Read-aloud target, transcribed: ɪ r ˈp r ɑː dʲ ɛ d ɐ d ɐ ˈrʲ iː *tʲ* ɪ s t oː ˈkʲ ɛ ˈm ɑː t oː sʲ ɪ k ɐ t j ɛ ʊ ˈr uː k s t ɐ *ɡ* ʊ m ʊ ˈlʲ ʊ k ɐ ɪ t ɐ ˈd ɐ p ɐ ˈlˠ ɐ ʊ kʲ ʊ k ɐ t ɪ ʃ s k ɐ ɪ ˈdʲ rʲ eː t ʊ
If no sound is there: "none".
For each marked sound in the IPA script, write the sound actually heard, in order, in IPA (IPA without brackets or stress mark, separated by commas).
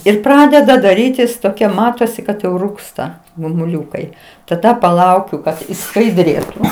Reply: tʲ, ɡ